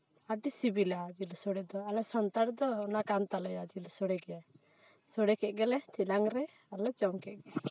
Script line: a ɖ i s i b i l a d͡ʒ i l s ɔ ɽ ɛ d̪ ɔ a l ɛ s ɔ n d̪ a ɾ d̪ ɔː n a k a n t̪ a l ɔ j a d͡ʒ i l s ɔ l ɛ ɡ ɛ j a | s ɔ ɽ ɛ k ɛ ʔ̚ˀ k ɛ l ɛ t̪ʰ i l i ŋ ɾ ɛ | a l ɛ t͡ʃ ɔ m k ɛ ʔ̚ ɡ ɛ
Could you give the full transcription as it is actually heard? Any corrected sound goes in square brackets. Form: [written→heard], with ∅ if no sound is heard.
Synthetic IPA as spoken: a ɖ i s i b i l a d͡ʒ i l s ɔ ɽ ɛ d̪ ɔ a l ɛ s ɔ n [d̪→t̪] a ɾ d̪ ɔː n a k a n t̪ a l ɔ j a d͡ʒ i l s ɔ [l→ɽ] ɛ ɡ ɛ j a | s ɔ ɽ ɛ k ɛ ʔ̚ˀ [k→ɡ] ɛ l ɛ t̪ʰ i l [i→a] ŋ ɾ ɛ | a l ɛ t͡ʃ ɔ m k ɛ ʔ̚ ɡ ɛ